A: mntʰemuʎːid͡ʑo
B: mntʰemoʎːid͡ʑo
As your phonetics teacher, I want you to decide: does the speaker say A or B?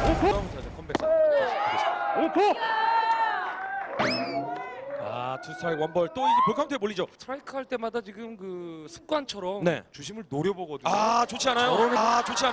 B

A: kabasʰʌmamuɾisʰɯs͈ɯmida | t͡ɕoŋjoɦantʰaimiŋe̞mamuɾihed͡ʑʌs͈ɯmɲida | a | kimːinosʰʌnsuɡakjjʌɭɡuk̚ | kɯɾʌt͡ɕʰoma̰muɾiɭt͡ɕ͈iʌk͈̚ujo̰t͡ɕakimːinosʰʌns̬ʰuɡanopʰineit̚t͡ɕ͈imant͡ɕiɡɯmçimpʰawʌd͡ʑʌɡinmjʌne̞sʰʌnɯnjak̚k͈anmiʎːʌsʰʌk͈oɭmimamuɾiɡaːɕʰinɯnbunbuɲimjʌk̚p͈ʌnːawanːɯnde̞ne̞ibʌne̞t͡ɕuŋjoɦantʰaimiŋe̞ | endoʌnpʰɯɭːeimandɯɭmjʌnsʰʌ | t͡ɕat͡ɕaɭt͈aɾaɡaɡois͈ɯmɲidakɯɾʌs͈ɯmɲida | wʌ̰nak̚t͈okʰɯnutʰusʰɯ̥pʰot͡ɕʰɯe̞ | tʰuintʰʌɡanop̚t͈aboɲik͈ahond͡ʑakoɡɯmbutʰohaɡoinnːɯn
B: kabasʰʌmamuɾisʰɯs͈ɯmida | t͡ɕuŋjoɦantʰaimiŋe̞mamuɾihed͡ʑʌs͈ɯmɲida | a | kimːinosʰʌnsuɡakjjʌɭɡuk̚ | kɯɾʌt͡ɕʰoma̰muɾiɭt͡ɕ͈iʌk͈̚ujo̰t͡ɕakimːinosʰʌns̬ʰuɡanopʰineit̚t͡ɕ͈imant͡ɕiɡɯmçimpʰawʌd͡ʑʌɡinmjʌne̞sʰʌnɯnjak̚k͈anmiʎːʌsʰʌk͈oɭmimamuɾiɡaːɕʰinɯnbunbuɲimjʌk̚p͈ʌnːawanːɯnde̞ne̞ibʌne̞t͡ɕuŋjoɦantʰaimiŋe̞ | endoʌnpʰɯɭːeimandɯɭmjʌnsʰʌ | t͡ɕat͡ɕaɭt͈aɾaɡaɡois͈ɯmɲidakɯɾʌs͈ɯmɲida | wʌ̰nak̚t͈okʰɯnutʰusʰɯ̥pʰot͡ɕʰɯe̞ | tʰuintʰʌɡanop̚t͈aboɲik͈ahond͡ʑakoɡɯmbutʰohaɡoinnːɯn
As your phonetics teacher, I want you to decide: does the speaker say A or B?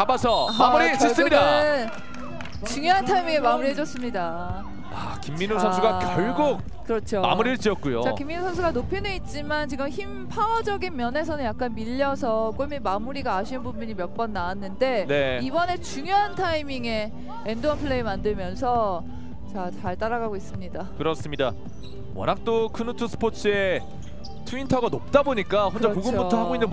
B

